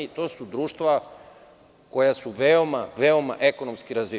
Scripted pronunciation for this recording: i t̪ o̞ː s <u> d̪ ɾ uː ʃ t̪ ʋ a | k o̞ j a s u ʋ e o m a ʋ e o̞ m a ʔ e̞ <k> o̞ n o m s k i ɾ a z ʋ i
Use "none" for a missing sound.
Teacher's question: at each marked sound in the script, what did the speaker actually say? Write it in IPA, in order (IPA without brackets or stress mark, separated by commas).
u, k